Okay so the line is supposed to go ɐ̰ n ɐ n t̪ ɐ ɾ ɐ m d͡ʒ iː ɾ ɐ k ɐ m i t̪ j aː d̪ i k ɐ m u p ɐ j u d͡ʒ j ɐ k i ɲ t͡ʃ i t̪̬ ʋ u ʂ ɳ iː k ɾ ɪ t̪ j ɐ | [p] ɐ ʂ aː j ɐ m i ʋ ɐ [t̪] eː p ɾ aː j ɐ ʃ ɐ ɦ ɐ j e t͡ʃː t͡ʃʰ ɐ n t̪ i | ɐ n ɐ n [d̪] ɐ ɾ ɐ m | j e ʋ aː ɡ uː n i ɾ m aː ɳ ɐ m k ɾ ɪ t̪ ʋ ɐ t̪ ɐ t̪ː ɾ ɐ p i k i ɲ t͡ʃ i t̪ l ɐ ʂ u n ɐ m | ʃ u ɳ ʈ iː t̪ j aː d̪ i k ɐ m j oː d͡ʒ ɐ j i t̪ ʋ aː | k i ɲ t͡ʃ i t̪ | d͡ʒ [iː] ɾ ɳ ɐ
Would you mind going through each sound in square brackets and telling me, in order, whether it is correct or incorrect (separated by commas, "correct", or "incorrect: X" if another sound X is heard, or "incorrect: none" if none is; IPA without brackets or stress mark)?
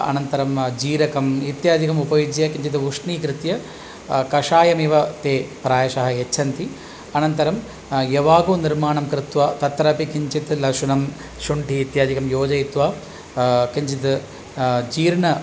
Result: incorrect: k, correct, incorrect: t̪, correct